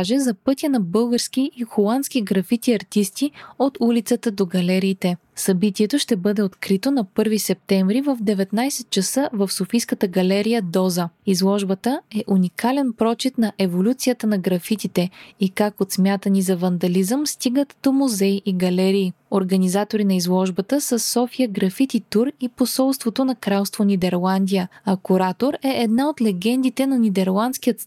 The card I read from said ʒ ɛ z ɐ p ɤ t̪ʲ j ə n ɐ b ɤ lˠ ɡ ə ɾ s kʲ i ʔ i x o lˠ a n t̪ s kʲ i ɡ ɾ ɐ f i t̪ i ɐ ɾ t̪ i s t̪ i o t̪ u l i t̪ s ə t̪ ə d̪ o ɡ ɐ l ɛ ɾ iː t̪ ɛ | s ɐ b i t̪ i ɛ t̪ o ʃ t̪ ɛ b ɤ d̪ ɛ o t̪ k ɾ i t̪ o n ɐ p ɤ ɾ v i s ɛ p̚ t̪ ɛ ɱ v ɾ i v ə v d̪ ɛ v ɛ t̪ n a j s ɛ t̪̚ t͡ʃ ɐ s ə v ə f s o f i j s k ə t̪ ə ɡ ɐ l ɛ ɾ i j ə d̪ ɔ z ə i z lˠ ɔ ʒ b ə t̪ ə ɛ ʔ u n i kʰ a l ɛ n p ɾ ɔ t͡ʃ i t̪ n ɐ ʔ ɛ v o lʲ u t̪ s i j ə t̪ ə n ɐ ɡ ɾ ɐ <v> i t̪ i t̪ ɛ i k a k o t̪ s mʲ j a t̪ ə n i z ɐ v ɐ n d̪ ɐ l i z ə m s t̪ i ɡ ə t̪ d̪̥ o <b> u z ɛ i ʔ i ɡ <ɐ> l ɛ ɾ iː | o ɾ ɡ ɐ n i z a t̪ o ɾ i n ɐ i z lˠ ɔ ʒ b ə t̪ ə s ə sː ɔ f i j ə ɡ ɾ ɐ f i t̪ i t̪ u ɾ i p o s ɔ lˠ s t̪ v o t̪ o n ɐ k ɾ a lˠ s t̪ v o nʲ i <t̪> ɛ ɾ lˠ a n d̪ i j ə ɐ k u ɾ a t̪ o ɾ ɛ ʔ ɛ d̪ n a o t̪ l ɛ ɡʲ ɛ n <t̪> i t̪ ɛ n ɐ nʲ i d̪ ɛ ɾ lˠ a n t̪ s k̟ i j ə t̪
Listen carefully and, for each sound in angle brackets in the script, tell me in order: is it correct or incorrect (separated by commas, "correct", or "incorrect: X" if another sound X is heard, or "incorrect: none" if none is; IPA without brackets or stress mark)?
incorrect: f, incorrect: m, correct, incorrect: d̪, incorrect: d̪